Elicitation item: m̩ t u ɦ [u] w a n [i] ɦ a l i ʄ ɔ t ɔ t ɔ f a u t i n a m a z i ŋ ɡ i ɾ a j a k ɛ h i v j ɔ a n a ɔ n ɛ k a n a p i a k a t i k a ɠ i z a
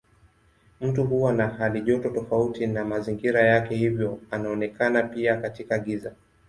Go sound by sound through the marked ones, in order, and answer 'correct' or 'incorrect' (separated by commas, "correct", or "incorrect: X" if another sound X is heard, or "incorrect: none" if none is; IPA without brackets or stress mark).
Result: correct, incorrect: a